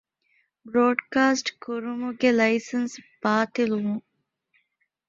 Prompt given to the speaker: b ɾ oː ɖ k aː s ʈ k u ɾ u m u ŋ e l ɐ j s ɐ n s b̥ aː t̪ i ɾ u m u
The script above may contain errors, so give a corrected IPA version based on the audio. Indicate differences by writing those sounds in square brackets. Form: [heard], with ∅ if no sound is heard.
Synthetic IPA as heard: b ɾ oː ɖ k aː s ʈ k u ɾ u m u [ɡ] e l ɐ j s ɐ n s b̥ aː t̪ i [l] u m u